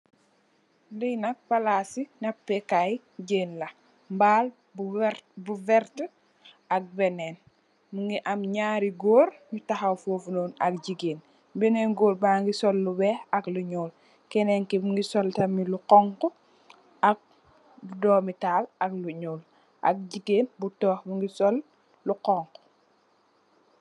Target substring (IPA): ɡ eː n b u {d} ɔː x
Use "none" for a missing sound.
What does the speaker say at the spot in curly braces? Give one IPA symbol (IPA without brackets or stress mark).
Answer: t